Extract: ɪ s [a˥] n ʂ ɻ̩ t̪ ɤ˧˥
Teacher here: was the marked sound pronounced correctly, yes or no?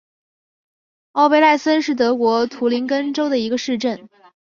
no